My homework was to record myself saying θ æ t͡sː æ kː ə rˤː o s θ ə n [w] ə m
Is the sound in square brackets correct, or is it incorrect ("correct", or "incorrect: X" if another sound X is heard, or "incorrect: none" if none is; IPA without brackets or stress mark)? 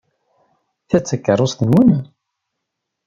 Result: correct